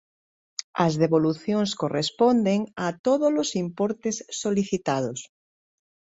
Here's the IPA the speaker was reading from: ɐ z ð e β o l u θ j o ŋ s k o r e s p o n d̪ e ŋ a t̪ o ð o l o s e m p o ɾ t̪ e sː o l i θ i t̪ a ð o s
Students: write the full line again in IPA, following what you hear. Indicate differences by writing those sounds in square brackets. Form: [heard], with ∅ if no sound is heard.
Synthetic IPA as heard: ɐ z ð e β o l u θ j o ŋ s k o r e s p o n d̪ e ŋ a t̪ o ð o l o s [i] m p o ɾ t̪ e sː o l i θ i t̪ a ð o s